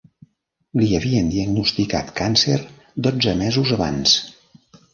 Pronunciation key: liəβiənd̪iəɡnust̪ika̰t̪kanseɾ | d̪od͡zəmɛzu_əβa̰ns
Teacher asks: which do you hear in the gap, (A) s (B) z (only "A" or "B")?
B